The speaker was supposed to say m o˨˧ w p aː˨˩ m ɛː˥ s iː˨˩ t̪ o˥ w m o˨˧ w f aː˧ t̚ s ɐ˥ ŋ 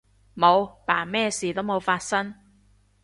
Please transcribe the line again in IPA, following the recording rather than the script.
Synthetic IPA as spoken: m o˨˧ w p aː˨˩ m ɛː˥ s iː˨˩ t̪ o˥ w m o˨˧ w f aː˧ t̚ s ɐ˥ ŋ